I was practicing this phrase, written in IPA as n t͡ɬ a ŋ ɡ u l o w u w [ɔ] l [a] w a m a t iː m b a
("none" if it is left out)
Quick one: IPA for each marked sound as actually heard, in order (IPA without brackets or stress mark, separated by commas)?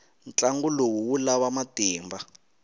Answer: u, a